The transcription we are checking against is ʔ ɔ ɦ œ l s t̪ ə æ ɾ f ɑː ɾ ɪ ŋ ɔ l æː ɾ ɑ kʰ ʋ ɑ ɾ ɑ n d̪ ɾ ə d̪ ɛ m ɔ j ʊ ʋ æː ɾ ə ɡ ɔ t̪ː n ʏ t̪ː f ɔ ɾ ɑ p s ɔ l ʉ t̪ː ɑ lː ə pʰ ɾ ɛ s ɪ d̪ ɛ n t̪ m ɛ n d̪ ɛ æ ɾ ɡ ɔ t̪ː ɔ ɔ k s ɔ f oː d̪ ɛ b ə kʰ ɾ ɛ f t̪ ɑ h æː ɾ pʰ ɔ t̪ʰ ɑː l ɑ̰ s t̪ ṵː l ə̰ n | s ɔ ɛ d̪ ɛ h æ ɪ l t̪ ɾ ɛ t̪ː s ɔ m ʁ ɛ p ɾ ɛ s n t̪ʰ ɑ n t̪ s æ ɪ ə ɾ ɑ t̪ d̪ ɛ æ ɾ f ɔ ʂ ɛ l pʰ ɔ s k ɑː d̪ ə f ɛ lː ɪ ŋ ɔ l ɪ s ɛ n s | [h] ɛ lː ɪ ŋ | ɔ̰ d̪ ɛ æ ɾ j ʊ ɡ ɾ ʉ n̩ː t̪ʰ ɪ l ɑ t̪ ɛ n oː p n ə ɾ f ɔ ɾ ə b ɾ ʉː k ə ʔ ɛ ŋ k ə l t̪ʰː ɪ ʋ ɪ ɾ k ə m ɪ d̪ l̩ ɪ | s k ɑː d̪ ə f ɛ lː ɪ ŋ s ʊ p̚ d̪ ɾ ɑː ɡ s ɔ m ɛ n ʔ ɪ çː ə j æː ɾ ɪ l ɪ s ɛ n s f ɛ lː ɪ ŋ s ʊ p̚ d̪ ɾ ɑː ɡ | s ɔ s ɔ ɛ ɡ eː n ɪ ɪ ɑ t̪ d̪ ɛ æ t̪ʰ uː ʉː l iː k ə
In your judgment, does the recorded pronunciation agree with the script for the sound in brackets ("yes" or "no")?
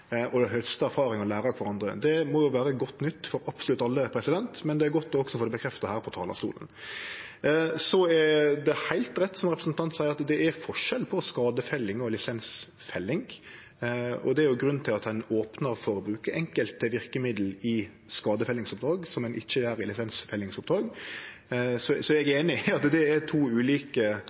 no